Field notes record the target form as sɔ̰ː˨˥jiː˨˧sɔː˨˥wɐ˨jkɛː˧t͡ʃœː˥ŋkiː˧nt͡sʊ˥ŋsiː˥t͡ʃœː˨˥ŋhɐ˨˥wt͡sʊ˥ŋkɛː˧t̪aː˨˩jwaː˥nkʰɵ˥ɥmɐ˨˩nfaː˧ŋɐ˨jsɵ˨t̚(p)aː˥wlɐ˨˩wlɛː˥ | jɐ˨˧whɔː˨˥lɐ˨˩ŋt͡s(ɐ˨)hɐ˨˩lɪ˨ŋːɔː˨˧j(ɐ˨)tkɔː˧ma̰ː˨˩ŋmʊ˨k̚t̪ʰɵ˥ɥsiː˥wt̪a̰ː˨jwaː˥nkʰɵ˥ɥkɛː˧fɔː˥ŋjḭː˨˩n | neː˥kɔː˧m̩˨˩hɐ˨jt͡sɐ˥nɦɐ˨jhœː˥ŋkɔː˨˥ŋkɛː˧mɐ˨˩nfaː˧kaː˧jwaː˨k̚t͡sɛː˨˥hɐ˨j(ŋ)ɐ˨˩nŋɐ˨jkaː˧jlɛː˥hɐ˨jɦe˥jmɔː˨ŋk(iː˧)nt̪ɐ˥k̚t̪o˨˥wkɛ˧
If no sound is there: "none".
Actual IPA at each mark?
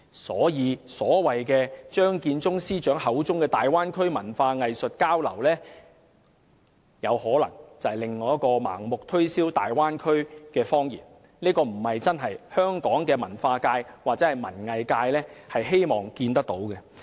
k, ɐ˨, ɐ˥, m, iː˧

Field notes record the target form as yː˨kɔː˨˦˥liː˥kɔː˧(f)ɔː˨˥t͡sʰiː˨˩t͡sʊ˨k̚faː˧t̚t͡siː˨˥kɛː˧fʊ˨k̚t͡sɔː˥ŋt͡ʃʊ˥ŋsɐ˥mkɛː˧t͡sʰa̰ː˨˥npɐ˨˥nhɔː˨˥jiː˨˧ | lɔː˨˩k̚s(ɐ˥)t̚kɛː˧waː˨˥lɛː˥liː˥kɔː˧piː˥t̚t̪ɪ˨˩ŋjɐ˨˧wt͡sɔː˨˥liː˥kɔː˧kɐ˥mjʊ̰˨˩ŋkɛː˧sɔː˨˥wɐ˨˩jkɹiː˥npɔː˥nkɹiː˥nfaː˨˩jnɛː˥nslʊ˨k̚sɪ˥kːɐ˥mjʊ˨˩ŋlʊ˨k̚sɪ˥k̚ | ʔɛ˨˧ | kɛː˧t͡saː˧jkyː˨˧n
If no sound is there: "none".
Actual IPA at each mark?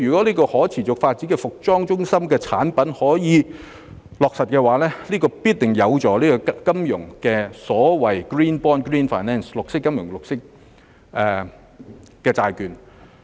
h, ɐ˨

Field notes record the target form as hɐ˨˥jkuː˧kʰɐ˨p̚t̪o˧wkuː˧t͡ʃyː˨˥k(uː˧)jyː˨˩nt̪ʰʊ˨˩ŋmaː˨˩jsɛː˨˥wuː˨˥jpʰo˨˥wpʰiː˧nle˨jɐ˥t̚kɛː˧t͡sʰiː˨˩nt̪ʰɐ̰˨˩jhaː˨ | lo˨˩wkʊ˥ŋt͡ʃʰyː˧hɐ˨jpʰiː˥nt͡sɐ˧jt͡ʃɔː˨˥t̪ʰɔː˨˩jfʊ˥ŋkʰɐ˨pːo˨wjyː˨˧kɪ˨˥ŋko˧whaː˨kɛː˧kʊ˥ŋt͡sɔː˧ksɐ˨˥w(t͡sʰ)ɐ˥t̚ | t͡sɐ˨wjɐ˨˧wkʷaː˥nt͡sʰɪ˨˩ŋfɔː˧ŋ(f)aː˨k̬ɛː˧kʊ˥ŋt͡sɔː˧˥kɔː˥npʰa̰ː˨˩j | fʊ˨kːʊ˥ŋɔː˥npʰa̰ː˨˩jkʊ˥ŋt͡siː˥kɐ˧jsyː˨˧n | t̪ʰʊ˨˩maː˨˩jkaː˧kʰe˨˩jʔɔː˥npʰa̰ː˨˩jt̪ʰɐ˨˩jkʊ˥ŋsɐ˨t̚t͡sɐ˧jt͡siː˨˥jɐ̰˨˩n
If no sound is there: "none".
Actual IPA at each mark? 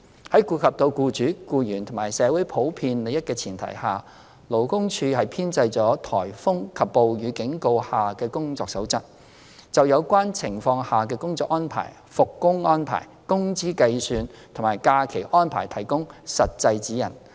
uː˧, t͡s, h

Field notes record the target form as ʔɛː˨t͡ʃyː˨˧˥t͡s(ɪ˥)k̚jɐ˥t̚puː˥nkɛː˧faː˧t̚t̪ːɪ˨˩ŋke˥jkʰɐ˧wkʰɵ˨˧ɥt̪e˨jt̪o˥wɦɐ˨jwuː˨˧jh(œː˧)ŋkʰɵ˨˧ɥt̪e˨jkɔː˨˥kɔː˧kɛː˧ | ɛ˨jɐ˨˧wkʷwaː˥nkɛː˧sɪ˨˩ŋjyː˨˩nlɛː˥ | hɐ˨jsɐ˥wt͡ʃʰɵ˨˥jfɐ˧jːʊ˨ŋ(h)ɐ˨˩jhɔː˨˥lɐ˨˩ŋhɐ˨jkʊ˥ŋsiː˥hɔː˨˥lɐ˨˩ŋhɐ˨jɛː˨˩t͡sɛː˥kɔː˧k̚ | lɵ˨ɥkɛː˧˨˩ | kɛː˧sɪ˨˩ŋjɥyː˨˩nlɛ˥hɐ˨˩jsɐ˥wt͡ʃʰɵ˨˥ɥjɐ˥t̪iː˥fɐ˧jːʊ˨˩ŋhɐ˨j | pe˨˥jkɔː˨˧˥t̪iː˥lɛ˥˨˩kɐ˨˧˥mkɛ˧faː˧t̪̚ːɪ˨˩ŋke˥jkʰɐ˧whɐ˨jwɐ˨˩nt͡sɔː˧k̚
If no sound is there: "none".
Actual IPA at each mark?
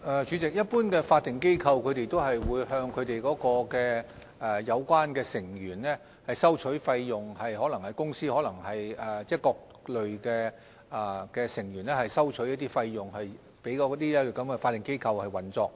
ɪ˨, œː˧, h

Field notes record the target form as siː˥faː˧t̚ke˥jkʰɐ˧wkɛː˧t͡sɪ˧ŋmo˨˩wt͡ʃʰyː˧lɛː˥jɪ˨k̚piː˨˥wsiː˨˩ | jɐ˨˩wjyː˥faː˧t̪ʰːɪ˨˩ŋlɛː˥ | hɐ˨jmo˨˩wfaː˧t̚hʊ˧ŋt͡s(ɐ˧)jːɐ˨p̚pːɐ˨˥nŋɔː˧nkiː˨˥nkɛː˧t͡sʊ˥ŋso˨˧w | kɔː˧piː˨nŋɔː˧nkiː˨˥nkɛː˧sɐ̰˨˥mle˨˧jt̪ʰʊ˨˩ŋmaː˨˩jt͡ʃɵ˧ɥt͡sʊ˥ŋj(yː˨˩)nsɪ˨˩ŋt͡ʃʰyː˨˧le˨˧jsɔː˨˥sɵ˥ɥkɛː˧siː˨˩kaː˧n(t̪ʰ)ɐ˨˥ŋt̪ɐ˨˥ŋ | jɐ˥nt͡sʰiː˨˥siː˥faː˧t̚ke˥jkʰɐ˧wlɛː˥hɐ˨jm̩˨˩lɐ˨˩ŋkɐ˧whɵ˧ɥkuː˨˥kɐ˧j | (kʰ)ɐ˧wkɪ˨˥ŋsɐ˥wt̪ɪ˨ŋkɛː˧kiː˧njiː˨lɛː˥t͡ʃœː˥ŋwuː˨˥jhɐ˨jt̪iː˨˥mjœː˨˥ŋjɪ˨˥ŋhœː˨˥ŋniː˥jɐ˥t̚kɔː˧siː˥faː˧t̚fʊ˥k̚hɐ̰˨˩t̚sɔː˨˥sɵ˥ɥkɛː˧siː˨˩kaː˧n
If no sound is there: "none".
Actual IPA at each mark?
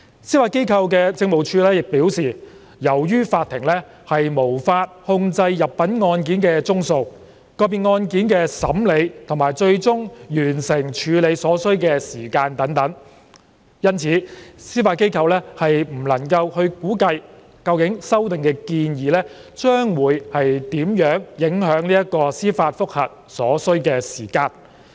ɐ˧, yː˨˩, t̪, k

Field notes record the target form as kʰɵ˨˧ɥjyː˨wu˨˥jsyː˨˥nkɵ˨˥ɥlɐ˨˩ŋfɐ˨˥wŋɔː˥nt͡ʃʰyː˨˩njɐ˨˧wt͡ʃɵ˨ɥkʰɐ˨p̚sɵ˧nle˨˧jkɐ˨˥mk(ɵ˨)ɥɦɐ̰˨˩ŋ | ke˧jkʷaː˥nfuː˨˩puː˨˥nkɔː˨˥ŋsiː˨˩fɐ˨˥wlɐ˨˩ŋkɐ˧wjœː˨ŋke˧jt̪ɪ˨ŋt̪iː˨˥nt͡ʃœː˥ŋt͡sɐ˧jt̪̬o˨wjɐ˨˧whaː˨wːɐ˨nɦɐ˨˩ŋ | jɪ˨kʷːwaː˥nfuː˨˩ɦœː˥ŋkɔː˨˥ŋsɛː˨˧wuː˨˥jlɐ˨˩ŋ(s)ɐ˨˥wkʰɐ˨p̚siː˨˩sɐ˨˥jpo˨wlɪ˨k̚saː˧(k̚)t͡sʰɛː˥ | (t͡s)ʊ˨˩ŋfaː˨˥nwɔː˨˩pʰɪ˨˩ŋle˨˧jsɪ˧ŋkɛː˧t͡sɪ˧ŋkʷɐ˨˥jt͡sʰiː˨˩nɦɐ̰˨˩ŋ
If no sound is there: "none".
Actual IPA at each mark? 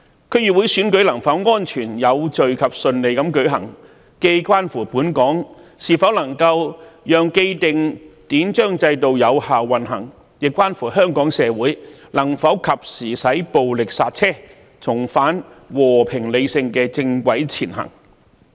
ɵ˨˥, f, t̚, t͡sʰ

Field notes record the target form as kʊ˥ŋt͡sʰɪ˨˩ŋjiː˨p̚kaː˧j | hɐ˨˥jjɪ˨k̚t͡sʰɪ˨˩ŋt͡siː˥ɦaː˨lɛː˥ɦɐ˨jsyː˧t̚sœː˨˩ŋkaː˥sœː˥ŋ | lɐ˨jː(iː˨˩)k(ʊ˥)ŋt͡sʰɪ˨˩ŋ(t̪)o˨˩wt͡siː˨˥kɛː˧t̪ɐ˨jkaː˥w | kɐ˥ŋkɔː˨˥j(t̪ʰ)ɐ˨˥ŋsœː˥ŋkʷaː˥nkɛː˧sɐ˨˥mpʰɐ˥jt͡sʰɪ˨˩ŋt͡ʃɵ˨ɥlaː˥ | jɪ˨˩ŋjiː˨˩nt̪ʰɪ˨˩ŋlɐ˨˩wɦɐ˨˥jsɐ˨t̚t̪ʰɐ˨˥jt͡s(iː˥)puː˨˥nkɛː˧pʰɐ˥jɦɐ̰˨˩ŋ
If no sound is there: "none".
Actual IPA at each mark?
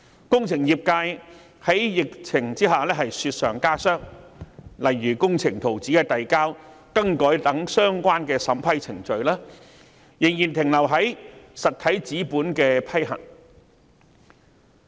yː˨˩, ʊ˥, t̪ʰ, t̪, iː˨˥

